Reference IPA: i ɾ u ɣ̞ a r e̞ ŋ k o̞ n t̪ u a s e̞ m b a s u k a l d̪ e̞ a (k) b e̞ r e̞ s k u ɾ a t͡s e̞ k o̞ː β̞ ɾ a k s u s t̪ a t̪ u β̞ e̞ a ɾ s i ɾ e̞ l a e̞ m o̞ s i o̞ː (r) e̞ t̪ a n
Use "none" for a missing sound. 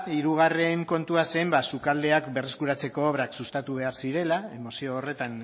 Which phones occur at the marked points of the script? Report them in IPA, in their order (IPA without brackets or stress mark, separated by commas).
k, r